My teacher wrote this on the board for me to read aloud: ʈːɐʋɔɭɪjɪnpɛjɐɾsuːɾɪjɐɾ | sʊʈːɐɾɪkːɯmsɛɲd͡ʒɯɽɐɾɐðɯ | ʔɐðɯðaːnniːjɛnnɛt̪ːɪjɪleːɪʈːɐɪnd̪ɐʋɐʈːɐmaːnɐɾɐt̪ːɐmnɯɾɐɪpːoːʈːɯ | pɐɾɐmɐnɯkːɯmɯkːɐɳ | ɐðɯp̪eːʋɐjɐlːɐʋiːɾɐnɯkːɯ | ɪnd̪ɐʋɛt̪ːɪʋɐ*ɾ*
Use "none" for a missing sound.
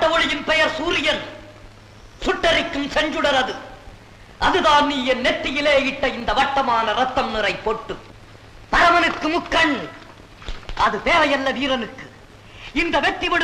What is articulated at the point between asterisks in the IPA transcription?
ɽ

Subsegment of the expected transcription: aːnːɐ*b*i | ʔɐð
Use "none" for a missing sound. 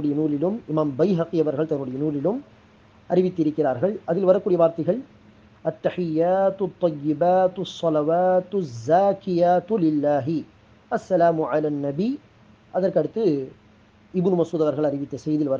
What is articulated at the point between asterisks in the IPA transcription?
b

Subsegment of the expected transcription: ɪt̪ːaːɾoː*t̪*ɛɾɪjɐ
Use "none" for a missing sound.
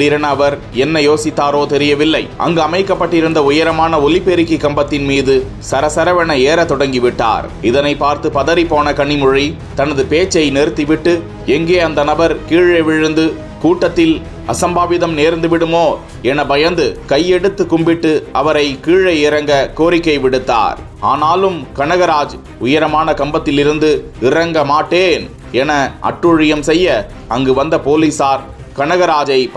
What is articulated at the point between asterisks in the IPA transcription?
t̪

